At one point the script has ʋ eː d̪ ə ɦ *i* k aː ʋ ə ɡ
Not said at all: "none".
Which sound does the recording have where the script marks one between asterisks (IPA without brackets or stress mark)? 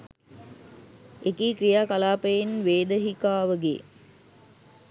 i